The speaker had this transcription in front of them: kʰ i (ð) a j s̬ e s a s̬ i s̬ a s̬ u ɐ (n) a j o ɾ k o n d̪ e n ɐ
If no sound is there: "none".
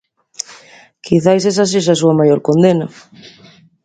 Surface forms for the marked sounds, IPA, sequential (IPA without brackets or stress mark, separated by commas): θ, m